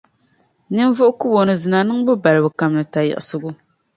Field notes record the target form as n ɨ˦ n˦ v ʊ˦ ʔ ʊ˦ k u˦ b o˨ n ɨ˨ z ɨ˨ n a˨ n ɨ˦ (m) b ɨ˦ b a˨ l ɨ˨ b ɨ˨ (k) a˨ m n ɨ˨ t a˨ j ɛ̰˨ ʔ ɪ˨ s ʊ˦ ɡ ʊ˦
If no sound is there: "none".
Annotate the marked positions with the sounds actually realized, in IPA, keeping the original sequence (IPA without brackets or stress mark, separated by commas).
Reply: ŋ, k